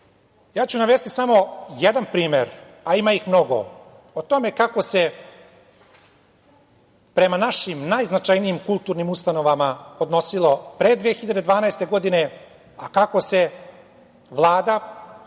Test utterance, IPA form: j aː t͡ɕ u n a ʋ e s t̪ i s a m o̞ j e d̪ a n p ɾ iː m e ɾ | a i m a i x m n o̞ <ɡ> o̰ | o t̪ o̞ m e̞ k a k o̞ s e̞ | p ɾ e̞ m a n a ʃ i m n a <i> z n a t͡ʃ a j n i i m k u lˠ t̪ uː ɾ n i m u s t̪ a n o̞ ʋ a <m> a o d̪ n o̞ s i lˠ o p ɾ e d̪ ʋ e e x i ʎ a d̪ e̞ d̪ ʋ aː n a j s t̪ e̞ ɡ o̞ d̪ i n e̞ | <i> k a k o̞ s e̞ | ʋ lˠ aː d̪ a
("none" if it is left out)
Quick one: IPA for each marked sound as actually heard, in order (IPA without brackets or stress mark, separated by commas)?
ɡ, j, m, a